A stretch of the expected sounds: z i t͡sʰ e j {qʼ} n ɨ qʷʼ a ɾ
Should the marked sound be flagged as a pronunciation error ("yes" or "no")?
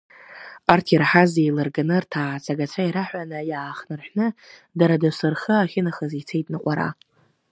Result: yes